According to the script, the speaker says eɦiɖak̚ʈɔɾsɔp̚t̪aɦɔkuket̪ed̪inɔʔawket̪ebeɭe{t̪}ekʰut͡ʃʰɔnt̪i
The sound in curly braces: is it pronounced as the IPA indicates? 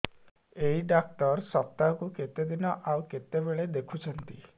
no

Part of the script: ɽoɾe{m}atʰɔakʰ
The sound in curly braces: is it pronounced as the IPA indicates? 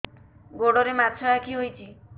yes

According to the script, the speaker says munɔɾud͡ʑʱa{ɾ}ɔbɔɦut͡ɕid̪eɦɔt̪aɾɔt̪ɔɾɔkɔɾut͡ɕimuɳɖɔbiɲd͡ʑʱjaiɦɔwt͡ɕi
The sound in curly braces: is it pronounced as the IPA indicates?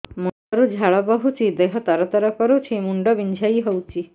no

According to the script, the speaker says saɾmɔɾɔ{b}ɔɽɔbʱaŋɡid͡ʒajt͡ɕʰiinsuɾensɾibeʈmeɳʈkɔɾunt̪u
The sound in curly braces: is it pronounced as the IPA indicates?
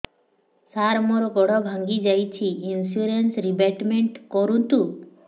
no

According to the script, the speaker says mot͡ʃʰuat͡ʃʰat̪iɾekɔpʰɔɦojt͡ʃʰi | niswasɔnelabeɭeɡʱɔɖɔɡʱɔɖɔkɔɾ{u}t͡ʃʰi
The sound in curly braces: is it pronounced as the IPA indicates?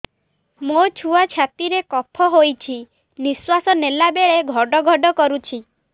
yes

